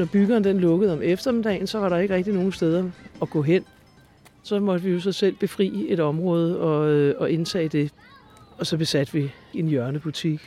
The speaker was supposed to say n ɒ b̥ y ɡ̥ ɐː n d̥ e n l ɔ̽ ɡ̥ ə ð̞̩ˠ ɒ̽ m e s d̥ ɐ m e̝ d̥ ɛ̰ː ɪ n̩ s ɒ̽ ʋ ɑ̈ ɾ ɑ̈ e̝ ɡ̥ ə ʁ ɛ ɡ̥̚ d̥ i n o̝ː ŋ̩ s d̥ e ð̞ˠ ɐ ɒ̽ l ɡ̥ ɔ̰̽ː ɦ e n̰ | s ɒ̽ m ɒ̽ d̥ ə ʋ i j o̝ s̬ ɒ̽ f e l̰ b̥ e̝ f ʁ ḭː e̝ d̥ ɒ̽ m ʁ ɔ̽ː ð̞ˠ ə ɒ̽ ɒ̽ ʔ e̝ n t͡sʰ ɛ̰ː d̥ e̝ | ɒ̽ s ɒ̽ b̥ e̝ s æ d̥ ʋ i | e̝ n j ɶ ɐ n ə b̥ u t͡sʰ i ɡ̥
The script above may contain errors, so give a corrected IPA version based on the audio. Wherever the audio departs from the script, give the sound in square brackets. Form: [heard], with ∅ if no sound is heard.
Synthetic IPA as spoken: n ɒ b̥ y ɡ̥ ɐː n d̥ e n l ɔ̽ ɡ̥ ə ð̞̩ˠ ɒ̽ m e [f] d̥ ɐ m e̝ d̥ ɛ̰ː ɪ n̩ s ɒ̽ ʋ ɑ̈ ɾ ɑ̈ e̝ ɡ̥ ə ʁ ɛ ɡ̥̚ d̥ i n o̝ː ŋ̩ s d̥ e ð̞ˠ ɐ ɒ̽ [∅] ɡ̥ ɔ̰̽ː ɦ e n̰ | s ɒ̽ m ɒ̽ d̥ ə ʋ i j o̝ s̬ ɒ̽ [s] e l̰ b̥ e̝ f ʁ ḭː e̝ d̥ ɒ̽ m ʁ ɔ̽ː ð̞ˠ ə ɒ̽ ɒ̽ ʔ e̝ n t͡sʰ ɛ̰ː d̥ e̝ | ɒ̽ s ɒ̽ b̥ e̝ s æ d̥ ʋ i | e̝ n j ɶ ɐ n ə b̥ u t͡sʰ i ɡ̥